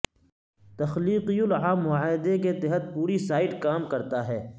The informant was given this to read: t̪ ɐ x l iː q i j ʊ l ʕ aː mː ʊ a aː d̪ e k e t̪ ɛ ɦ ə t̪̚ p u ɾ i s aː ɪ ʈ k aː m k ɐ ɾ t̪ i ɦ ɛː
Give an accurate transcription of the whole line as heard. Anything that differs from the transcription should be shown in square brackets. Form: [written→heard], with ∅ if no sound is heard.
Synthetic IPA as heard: t̪ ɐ x l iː q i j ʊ l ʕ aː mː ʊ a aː d̪ e k e t̪ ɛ ɦ ə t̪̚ p [u→uː] ɾ i s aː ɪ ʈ k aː m k ɐ ɾ t̪ [i→a] ɦ ɛː

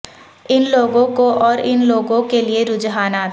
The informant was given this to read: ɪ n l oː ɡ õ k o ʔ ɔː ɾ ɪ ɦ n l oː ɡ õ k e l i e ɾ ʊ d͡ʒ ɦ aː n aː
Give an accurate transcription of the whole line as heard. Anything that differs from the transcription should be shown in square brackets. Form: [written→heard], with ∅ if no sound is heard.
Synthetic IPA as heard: ɪ n l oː ɡ õ k o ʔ ɔː ɾ ɪ [ɦ→∅] n l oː ɡ õ k e l i e ɾ ʊ d͡ʒ ɦ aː n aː

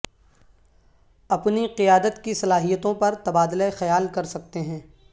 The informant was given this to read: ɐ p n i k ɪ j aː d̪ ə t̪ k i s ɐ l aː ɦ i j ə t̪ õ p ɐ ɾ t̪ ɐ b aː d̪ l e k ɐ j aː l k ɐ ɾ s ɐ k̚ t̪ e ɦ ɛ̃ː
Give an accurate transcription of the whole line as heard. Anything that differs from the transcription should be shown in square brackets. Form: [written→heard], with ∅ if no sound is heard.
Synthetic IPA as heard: ɐ p n i [k→q] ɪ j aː d̪ ə t̪ k i s ɐ l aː ɦ i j ə t̪ õ p ɐ ɾ t̪ ɐ b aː d̪ l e [k→x] ɐ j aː l k ɐ ɾ s ɐ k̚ t̪ e ɦ ɛ̃ː

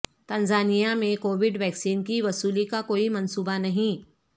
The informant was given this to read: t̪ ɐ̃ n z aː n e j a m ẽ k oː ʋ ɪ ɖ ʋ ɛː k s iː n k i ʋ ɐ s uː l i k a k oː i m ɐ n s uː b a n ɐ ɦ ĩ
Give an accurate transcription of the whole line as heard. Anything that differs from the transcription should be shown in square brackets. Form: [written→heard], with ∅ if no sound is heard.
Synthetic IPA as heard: t̪ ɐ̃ n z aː n [e→i] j a m ẽ k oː ʋ ɪ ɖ ʋ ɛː k s iː n k i ʋ ɐ s uː l i k a k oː i m ɐ n s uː b a n ɐ ɦ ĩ

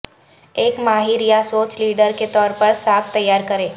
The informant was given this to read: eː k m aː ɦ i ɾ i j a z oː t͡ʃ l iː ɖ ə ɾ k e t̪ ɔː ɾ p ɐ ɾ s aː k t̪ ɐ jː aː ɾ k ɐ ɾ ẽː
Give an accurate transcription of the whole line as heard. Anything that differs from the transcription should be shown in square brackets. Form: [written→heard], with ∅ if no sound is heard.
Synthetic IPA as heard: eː k m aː ɦ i ɾ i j a [z→s] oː t͡ʃ l iː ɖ ə ɾ k e t̪ ɔː ɾ p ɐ ɾ s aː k t̪ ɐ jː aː ɾ k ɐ ɾ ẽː

